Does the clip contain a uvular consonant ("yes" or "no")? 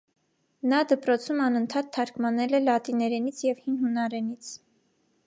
no